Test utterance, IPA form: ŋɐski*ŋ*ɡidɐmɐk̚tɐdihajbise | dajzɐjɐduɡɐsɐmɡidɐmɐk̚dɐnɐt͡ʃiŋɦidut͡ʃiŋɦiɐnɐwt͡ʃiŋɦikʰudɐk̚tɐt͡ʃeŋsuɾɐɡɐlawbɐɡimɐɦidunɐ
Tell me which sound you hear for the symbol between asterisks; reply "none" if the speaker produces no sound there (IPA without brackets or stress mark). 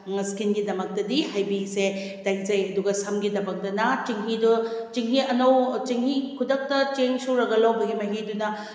n